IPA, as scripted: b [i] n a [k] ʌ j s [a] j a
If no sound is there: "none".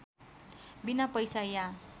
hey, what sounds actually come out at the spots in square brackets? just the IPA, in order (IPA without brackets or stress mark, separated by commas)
i, p, a